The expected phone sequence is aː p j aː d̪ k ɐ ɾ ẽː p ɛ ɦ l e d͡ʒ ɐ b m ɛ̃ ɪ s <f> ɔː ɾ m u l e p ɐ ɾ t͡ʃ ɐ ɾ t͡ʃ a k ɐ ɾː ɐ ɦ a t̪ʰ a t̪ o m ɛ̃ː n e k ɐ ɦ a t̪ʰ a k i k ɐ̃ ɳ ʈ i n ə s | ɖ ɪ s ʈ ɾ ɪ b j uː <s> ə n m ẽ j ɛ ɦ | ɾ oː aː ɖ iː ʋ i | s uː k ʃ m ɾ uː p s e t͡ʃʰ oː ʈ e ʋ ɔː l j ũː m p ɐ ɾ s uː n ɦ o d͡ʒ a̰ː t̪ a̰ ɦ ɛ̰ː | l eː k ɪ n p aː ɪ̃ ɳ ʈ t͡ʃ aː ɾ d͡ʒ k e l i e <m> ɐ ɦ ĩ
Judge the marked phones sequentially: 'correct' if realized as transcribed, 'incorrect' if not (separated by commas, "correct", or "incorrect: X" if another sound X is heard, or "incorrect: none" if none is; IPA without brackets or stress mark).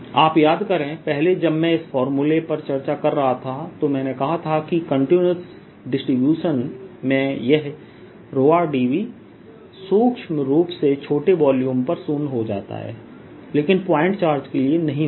correct, incorrect: ʃ, incorrect: n